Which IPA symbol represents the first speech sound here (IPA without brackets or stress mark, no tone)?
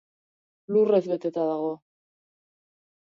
l